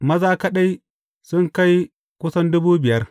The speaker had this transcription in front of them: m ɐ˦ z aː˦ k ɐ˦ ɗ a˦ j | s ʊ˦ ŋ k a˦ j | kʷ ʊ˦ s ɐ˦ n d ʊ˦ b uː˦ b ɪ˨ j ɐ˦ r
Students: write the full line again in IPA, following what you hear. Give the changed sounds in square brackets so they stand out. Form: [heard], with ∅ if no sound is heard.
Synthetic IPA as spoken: m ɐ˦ z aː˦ k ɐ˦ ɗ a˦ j | s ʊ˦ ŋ k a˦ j | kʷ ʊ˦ s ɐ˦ n d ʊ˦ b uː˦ b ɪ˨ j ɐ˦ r